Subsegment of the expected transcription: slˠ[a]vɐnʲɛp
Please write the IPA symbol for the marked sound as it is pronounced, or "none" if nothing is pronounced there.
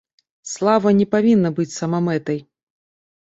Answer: a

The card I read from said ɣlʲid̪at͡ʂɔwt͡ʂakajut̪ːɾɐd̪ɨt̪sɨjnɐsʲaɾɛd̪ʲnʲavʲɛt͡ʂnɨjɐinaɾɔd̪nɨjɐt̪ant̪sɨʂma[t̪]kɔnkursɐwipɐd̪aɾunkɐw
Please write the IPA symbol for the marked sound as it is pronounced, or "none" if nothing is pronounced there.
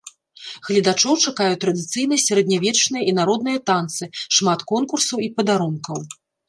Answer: t̪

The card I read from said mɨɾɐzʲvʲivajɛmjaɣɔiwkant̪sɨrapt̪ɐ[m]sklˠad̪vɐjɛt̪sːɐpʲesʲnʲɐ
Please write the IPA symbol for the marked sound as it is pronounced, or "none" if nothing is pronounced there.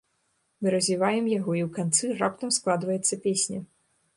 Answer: m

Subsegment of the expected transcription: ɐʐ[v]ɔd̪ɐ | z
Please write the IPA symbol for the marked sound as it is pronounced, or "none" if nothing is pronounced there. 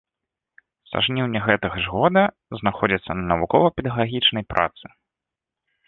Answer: ɣ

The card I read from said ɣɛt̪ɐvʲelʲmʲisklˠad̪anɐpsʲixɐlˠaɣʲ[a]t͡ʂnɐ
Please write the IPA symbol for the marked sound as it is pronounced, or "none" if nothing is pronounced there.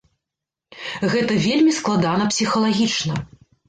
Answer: i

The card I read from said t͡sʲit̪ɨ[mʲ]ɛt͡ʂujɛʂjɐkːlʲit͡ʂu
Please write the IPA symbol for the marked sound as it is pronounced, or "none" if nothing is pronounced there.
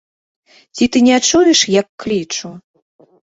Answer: nʲ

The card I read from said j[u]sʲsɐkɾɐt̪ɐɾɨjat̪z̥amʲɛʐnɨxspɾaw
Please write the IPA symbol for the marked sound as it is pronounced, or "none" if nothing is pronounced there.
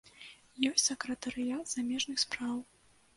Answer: ɔ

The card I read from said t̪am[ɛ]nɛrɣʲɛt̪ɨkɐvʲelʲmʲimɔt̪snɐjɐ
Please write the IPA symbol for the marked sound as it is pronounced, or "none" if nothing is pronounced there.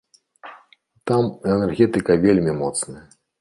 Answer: ɛ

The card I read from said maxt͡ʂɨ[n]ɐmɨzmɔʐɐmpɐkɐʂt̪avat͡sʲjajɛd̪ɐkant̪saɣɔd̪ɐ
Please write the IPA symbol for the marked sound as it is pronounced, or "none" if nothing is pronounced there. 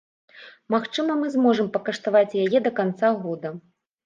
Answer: m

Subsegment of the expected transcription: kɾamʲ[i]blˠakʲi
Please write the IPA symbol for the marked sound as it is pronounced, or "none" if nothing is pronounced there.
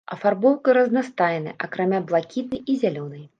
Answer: a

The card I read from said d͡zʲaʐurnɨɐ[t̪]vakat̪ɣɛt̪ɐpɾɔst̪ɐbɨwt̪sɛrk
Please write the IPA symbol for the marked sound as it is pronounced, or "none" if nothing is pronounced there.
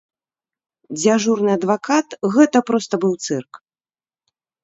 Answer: d̪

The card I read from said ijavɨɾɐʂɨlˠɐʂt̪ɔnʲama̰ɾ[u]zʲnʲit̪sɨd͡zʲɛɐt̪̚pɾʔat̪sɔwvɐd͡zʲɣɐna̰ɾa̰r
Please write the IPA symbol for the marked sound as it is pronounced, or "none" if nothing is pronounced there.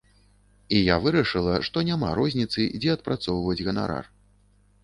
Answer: ɔ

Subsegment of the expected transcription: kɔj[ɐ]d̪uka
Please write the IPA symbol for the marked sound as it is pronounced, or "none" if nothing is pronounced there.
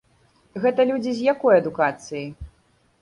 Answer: ɐ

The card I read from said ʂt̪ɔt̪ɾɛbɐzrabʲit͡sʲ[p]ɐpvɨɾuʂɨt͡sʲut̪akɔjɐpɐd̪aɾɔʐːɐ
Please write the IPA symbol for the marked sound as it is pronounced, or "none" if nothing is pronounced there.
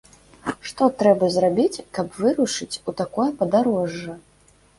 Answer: k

